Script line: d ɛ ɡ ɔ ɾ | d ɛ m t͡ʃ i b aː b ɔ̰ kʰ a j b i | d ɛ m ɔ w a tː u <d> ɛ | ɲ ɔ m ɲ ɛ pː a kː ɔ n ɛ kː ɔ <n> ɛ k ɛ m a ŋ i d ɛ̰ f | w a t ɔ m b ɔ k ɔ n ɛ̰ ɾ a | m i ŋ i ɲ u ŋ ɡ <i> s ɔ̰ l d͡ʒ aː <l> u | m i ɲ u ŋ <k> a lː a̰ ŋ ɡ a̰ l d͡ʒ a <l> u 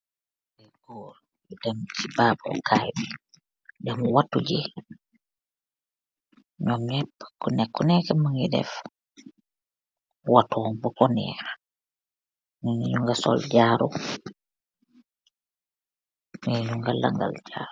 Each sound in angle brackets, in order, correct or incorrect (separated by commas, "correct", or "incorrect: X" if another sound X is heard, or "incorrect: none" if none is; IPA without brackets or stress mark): incorrect: d͡ʒ, correct, incorrect: a, incorrect: ɾ, incorrect: ɡ, incorrect: ɾ